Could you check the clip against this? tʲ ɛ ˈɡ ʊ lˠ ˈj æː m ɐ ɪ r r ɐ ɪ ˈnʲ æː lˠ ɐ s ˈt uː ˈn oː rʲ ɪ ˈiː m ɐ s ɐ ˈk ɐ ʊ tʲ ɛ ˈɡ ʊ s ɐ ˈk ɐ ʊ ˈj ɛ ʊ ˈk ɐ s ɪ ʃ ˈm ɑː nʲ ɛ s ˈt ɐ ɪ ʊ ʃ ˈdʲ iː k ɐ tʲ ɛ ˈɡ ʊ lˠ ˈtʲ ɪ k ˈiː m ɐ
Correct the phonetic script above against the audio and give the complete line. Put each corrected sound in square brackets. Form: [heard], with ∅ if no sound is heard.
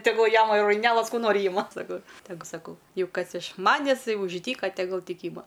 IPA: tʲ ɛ ˈɡ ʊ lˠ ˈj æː m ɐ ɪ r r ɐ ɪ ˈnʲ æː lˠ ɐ s [ˈk] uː ˈn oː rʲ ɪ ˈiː m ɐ s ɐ ˈk ɐ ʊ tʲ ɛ ˈɡ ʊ s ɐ ˈk ɐ ʊ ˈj ɛ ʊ ˈk ɐ s ɪ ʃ ˈm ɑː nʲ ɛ s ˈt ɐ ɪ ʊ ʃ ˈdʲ iː k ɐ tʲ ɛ ˈɡ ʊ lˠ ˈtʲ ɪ k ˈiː m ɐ